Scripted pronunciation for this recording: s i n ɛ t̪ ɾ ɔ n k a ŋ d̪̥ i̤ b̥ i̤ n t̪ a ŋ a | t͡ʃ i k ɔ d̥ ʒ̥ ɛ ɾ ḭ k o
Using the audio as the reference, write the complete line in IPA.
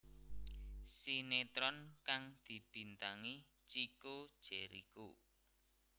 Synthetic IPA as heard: s i n e t̪ ɾ ɔ n k a ŋ d̪̥ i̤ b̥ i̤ n t̪ a ŋ i | t͡ʃ i k o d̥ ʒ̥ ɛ ɾ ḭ k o